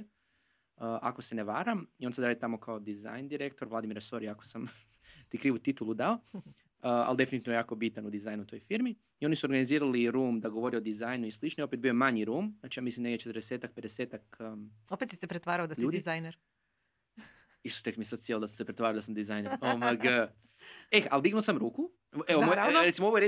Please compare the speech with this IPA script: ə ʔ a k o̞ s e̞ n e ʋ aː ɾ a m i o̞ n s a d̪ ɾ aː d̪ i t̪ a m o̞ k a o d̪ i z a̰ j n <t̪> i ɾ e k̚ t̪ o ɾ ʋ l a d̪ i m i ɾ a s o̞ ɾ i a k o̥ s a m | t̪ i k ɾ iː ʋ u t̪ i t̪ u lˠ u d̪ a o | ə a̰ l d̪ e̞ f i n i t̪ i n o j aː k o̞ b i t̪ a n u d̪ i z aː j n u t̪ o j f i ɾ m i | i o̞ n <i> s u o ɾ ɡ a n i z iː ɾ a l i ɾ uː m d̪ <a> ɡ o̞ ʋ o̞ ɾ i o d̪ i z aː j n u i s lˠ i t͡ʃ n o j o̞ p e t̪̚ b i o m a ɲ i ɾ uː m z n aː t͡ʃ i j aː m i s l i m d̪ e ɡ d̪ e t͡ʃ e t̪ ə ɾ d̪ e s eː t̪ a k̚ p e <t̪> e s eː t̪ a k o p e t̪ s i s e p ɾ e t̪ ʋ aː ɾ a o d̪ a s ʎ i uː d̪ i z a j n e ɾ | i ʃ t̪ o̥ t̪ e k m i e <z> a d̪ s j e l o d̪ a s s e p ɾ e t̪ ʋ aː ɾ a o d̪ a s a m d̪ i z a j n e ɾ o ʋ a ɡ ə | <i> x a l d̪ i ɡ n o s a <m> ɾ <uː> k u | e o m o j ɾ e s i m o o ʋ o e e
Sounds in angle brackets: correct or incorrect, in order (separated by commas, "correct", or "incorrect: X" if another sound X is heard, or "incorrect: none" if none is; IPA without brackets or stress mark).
incorrect: d̪, correct, correct, incorrect: d̪, incorrect: s, incorrect: e, correct, correct